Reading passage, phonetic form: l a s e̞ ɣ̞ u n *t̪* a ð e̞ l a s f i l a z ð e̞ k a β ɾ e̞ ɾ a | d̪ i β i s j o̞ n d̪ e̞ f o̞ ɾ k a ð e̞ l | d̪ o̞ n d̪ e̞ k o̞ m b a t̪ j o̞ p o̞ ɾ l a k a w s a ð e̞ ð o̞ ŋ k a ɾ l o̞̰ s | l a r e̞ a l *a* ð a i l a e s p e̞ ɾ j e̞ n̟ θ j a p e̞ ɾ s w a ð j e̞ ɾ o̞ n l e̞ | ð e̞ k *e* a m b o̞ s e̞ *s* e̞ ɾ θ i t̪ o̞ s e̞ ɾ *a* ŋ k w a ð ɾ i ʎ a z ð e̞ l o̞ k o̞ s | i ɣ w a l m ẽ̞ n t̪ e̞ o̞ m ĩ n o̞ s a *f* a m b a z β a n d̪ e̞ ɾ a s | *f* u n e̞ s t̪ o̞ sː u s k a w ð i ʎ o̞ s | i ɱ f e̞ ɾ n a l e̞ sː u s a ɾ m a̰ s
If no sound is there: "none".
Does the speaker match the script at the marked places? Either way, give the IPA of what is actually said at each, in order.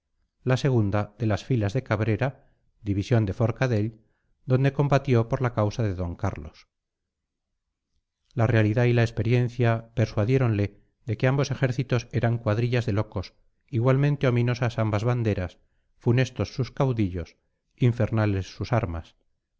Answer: d̪, i, e, x, a, s, f

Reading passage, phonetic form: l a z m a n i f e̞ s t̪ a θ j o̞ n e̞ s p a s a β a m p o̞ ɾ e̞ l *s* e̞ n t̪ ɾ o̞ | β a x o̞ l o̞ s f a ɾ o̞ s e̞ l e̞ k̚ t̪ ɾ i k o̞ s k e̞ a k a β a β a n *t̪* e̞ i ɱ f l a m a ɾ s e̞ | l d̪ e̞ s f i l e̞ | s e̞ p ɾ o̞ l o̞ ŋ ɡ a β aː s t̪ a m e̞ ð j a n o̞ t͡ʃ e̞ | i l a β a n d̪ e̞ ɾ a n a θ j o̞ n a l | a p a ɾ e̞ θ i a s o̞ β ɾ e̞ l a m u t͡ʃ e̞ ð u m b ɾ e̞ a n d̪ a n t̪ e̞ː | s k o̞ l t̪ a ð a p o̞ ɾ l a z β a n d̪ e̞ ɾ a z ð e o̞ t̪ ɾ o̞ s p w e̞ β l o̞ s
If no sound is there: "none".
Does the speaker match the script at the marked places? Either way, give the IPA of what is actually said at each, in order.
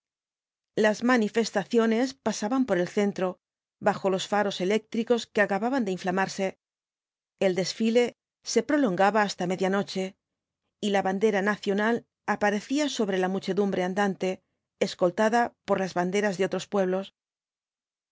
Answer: θ, d̪

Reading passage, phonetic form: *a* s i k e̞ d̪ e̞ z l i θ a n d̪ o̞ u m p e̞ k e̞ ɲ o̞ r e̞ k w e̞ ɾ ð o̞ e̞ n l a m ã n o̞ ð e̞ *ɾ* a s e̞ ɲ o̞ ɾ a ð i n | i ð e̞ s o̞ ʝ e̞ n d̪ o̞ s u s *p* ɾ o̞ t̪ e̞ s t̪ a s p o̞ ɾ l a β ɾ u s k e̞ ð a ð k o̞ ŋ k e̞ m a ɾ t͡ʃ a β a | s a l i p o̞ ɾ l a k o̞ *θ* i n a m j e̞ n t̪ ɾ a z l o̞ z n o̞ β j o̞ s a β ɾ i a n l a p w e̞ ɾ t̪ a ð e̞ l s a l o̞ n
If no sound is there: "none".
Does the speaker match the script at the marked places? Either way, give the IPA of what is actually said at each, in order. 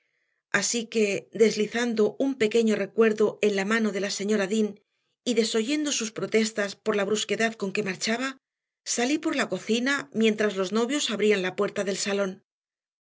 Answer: a, l, p, θ

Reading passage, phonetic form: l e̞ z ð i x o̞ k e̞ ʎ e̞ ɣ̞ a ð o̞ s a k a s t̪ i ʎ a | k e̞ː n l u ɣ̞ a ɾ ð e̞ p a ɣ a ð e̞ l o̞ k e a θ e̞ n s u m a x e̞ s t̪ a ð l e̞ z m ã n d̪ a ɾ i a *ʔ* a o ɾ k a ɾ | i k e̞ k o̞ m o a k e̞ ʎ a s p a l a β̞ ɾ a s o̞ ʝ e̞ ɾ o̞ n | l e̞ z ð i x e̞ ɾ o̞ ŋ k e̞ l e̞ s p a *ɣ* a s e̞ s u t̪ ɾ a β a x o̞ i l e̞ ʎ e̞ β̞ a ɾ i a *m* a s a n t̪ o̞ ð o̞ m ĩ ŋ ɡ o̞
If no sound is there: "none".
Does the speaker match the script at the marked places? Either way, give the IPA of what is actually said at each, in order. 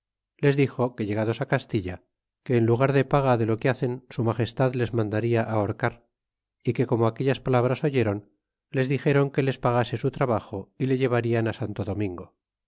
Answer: ʔ, ɣ, n

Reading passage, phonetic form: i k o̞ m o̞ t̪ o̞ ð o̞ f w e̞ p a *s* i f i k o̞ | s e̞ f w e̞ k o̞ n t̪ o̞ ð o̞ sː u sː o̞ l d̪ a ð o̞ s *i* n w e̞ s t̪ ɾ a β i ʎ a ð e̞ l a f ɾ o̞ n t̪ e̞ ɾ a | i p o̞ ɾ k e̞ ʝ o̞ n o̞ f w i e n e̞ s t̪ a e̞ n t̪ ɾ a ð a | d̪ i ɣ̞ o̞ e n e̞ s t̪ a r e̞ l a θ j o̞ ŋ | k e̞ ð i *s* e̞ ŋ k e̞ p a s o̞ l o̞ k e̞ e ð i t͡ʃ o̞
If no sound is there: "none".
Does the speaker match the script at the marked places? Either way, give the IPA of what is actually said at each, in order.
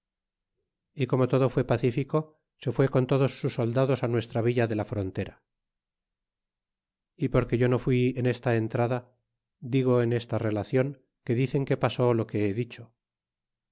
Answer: θ, a, θ

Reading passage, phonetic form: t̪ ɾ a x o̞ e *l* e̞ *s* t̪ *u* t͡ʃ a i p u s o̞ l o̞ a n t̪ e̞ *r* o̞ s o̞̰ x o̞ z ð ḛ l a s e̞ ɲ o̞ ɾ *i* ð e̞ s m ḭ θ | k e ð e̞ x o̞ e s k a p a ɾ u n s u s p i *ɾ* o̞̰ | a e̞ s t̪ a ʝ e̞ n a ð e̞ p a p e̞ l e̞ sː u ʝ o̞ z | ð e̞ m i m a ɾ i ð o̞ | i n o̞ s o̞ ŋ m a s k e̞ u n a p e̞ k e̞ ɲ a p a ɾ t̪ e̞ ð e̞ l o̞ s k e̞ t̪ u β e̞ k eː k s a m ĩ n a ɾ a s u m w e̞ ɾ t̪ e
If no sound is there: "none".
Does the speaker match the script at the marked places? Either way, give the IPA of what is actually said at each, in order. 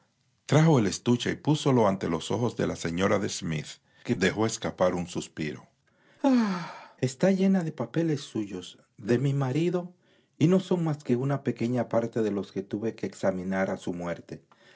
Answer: l, s, u, l, a, ɾ

